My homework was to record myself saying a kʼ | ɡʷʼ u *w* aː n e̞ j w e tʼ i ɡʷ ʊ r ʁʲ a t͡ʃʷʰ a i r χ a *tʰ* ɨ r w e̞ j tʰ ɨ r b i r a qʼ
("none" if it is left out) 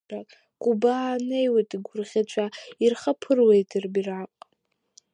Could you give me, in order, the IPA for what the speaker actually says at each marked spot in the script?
b, pʰ

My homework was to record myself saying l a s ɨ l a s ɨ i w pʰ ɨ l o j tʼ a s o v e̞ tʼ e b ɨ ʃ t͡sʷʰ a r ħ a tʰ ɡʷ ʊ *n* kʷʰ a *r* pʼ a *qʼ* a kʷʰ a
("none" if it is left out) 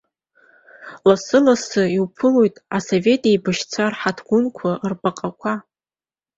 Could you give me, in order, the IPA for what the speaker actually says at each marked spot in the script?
n, r, qʼ

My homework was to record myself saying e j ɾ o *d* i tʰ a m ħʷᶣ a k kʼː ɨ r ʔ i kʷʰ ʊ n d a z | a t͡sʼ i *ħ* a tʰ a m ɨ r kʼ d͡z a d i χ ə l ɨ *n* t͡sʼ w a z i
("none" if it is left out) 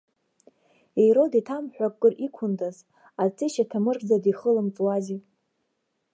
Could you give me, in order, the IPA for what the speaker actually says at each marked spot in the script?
d, ʃ, m

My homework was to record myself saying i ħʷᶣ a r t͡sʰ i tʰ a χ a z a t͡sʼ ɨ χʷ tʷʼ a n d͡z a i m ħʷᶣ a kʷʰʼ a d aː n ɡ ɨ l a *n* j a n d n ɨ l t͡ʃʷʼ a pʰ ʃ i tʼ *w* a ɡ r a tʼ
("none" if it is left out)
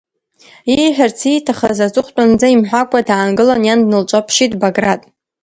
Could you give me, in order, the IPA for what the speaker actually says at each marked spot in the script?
n, b

